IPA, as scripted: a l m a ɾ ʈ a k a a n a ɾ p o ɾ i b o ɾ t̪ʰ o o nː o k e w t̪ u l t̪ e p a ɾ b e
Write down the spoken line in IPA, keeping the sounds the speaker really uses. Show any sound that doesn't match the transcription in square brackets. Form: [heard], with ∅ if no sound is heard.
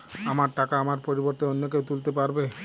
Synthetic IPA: a [∅] m a ɾ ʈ a k a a [m] a ɾ p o ɾ i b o ɾ [t̪] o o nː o k e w t̪ u l t̪ e p a ɾ b e